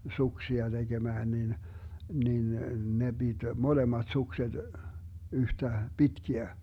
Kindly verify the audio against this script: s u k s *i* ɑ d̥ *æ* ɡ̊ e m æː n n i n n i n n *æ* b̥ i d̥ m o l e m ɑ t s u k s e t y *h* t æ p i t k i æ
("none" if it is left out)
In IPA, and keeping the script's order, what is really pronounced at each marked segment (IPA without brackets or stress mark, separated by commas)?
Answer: i, e, e, h